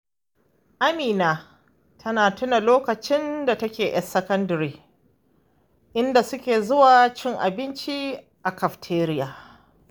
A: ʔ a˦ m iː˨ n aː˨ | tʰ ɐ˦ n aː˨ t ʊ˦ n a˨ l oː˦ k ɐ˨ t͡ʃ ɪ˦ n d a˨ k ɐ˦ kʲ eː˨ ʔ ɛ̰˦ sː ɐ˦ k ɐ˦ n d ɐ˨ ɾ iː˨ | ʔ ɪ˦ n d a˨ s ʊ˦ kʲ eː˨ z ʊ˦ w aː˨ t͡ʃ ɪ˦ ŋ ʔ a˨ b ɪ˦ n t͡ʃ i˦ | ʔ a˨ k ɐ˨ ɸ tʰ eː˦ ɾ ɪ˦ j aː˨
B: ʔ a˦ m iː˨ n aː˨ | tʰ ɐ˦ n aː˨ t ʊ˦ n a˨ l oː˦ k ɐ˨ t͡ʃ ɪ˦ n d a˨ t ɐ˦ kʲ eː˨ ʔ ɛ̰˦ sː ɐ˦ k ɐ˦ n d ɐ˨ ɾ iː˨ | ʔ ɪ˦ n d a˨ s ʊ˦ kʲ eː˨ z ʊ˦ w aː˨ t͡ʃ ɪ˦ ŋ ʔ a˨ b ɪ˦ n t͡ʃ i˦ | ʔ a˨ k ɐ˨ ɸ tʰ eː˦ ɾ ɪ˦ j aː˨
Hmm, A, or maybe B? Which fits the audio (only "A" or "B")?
B